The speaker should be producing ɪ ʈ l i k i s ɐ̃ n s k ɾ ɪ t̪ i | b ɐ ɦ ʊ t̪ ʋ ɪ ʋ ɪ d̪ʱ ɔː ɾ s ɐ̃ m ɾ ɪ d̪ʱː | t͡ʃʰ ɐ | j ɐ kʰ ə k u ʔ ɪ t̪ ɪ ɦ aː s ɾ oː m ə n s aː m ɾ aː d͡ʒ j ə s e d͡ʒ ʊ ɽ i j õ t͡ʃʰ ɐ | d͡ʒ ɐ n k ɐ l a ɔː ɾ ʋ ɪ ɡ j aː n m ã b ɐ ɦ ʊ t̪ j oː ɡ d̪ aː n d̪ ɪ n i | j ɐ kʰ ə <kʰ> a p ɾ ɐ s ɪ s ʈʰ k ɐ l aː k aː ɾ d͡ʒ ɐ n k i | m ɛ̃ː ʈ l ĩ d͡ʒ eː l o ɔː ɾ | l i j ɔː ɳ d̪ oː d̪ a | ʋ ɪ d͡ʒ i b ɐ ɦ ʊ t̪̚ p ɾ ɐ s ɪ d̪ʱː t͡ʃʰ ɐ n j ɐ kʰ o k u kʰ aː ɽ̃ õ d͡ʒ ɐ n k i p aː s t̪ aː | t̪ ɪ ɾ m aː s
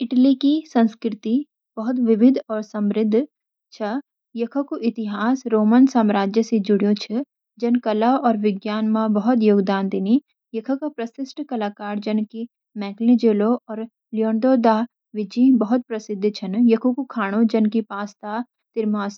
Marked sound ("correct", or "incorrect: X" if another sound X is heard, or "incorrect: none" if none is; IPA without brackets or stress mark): incorrect: k